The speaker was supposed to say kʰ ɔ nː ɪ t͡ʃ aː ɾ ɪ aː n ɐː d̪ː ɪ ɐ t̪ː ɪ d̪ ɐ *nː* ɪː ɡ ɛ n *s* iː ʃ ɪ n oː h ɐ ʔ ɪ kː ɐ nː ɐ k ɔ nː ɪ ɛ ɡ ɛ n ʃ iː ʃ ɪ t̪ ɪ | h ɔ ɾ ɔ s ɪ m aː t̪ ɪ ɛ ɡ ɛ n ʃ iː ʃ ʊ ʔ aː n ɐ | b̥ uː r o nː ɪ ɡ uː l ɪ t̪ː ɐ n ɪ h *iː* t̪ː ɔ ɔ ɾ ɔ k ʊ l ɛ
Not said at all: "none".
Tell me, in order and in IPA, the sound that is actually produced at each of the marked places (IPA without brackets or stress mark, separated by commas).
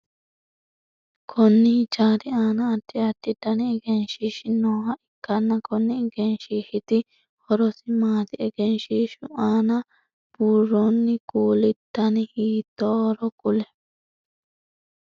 n, ʃ, iː